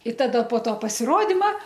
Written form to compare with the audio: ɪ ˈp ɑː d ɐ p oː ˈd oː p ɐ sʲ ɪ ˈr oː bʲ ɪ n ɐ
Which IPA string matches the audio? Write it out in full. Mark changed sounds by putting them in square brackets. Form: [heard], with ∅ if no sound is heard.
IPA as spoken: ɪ [ˈt] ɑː d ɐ p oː [ˈt] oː p ɐ sʲ ɪ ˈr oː [dʲ] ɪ [m] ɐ